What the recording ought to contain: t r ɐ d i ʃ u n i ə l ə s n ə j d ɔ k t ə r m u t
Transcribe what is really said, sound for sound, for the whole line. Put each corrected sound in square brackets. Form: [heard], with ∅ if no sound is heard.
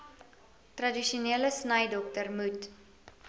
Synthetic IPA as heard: t r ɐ d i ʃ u n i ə l ə s n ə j d ɔ k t ə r m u t